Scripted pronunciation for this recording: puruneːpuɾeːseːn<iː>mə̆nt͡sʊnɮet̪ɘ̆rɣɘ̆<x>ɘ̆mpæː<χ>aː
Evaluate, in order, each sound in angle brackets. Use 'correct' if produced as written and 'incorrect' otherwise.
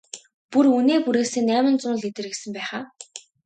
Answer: incorrect: æː, incorrect: s, correct

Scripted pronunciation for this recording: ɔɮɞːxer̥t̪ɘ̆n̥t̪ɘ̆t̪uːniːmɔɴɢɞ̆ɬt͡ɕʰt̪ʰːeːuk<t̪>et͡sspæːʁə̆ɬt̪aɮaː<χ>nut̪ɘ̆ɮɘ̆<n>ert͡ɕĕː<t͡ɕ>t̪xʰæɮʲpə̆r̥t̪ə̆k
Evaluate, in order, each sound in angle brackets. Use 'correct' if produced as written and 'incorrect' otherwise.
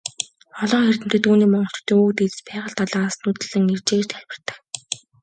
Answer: correct, incorrect: s, incorrect: ŋ, correct

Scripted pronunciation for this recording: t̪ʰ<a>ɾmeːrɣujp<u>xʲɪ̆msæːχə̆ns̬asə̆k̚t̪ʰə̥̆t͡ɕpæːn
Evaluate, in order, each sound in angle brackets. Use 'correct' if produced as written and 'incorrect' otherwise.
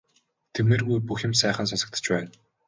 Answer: incorrect: e, correct

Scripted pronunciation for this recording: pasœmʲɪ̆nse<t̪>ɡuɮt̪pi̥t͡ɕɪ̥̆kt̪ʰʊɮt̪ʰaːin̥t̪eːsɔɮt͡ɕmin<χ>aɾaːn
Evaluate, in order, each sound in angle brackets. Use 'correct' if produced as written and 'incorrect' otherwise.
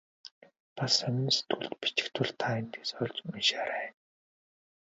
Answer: correct, incorrect: ʃ

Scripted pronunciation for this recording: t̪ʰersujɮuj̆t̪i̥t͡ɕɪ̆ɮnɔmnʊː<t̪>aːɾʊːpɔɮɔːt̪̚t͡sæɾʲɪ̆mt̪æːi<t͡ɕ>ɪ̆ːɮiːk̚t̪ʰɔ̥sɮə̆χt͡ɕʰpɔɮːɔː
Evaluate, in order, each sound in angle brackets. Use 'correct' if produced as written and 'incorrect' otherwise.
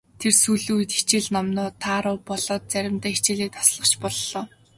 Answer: incorrect: t̪ʰ, correct

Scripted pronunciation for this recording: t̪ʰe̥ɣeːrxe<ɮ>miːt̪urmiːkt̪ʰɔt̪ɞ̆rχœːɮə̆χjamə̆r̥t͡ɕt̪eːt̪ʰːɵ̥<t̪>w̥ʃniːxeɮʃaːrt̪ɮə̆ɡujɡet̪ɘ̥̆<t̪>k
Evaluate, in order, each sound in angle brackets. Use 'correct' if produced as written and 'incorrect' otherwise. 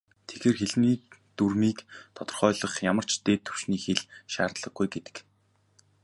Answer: correct, incorrect: none, incorrect: none

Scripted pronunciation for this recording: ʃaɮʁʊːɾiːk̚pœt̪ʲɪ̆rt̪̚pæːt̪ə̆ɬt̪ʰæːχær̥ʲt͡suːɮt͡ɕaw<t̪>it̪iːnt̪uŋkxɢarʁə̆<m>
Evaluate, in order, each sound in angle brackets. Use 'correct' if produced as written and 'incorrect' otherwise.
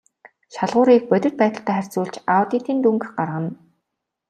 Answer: correct, incorrect: n

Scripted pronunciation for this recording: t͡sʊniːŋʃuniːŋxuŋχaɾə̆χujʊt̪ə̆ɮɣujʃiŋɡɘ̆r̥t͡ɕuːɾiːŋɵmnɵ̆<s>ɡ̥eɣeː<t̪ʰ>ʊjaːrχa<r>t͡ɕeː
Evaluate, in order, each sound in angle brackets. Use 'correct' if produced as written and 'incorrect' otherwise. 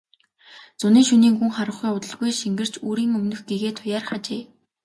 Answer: incorrect: x, correct, incorrect: none

